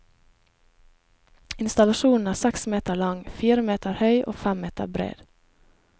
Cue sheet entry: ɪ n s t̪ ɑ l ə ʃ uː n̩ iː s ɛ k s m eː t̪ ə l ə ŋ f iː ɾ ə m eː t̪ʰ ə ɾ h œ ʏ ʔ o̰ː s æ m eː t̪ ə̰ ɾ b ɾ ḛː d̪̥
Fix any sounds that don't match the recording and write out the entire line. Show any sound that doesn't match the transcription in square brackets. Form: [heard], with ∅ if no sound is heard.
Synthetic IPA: ɪ n s t̪ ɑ l [ɑ] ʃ uː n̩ [æː] s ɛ k s m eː t̪ ə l [ɑ] ŋ f iː ɾ ə m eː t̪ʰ ə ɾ h œ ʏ ʔ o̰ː [f] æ m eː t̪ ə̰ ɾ b ɾ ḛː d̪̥